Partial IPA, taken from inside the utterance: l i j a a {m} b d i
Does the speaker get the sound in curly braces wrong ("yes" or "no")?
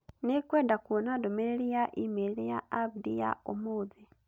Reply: yes